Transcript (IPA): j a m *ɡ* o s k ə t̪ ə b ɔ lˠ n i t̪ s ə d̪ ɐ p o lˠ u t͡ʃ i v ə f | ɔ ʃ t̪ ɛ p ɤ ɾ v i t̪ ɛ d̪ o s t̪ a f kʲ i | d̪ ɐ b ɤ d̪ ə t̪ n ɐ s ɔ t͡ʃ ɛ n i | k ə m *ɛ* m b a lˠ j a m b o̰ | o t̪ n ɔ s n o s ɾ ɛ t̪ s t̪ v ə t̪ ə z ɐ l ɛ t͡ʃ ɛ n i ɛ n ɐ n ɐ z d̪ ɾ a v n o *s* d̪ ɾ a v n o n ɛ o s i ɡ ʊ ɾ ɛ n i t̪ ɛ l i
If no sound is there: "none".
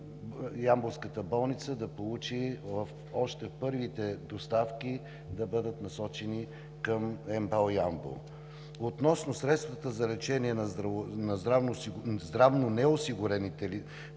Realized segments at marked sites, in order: b, ɛ, z

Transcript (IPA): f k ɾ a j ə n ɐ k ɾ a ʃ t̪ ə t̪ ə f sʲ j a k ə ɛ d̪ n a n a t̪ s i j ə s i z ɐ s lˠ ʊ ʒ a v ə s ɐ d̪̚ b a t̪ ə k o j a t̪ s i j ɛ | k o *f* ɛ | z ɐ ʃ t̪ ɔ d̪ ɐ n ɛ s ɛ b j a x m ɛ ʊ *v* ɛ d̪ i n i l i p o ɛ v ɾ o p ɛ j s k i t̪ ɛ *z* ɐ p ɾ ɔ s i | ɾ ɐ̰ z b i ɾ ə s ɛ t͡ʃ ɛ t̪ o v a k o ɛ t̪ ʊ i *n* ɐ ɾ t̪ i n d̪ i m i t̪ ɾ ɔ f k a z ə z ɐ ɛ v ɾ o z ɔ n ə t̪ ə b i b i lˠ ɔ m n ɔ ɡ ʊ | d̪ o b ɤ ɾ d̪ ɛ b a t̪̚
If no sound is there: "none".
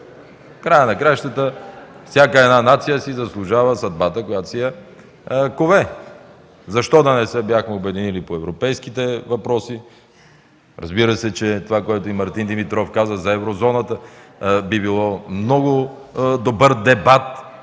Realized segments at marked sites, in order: v, b, v, m

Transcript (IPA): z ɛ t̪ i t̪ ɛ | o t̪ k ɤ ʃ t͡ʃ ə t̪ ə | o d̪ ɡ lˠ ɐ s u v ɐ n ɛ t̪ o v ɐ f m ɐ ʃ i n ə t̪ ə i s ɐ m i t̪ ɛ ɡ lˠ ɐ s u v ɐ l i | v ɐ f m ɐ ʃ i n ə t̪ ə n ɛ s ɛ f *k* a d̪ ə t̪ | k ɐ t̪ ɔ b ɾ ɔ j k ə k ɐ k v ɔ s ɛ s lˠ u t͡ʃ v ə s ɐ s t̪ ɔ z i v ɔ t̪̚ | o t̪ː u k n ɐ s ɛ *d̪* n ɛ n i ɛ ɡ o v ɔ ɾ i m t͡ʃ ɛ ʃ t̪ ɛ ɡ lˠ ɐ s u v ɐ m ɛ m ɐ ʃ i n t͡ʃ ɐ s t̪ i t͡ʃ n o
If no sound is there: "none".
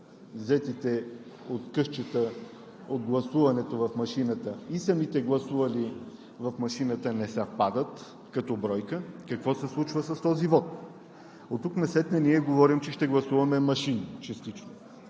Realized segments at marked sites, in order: p, t̪

